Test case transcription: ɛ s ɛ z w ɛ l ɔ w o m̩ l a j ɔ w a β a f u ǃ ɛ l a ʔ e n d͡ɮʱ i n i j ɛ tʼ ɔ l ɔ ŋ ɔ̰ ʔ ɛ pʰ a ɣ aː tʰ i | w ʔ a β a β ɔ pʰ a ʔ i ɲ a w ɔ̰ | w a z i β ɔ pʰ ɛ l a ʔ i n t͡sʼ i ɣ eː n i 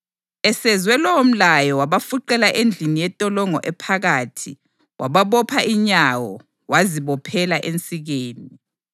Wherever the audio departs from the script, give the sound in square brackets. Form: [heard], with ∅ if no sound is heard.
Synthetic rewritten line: ɛ s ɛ z w ɛ l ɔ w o m̩ l a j ɔ w a β a f u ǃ ɛ l a ʔ e n d͡ɮʱ i n i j ɛ tʼ ɔ l ɔ ŋ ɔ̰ ʔ ɛ pʰ a ɣ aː tʰ i | w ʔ a β a β ɔ pʰ a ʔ i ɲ a w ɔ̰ | w a z i β ɔ pʰ ɛ l a ʔ [e] n t͡sʼ i ɣ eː n i